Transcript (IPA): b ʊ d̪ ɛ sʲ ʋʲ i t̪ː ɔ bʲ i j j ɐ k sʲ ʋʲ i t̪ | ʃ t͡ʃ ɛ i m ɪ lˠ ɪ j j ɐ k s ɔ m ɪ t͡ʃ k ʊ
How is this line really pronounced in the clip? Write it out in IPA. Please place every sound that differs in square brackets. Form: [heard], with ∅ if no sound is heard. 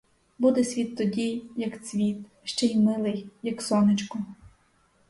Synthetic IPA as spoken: b [u] d̪ ɛ sʲ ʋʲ i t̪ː ɔ [dʲ] i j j ɐ k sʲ ʋʲ i t̪ | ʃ t͡ʃ ɛ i m ɪ lˠ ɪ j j ɐ k s ɔ [n] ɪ t͡ʃ k ʊ